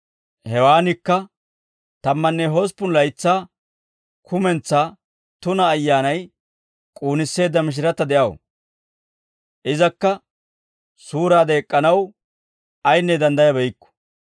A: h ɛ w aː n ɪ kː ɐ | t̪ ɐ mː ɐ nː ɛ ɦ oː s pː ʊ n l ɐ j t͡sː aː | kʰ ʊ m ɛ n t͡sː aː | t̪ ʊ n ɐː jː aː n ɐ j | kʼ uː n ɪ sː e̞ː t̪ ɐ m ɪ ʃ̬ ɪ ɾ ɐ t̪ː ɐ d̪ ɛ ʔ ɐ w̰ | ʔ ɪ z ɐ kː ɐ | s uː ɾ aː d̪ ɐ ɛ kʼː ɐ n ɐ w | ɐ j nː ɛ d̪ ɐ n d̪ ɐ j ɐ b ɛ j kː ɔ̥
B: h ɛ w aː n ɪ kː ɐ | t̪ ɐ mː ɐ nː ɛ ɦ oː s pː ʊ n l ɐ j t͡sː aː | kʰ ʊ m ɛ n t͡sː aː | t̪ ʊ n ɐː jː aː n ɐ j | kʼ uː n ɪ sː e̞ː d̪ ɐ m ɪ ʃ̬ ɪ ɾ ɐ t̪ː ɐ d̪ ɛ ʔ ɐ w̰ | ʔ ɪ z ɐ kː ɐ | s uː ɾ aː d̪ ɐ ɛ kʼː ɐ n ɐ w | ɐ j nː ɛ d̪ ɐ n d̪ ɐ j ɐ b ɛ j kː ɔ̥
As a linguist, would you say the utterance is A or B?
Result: B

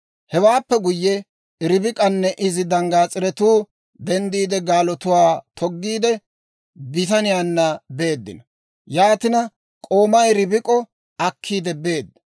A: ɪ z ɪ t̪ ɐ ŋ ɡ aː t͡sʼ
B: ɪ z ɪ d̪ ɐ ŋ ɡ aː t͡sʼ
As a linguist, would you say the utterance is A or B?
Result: B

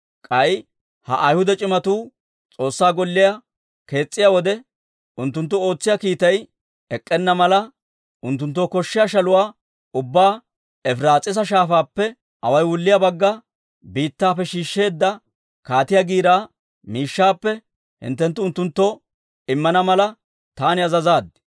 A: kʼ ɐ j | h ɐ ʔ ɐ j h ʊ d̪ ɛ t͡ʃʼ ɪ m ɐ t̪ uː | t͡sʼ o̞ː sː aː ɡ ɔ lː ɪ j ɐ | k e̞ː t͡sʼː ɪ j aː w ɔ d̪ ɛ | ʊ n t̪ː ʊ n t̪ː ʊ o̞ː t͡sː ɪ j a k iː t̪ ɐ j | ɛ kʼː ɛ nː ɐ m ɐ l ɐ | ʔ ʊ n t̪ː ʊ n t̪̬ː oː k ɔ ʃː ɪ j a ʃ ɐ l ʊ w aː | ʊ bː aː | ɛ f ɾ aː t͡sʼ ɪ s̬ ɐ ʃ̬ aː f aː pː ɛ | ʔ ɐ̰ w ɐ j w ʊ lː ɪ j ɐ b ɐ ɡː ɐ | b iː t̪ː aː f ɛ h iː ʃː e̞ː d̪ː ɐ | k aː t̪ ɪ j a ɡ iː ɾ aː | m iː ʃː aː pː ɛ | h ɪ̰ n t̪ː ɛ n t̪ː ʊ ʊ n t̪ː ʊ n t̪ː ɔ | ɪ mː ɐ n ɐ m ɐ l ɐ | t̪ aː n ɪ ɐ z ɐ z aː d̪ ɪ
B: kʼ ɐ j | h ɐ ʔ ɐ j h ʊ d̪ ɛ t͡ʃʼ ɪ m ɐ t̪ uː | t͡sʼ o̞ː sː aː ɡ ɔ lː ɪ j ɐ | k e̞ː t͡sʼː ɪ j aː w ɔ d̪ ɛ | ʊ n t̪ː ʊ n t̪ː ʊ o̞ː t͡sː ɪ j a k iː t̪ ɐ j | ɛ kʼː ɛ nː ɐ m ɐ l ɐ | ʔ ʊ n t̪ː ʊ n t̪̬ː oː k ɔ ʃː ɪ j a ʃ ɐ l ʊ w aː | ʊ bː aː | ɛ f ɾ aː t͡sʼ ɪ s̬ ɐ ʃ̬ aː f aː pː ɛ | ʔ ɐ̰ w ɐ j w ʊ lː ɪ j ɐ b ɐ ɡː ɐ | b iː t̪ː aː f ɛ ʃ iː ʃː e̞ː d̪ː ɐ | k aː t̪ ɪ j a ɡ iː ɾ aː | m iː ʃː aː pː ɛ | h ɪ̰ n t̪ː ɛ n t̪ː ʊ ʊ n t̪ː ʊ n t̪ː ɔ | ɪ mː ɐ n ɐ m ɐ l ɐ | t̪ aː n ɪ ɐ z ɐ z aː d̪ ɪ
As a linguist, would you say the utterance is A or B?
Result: B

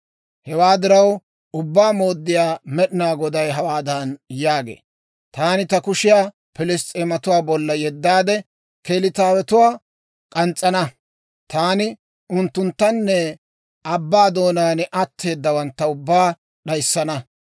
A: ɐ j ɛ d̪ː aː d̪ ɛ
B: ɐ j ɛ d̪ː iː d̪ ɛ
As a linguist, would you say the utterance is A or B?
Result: A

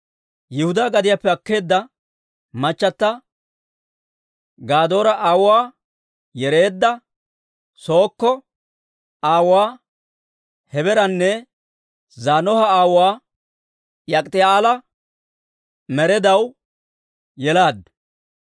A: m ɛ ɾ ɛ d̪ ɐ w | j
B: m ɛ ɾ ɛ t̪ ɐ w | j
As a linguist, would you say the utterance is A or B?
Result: A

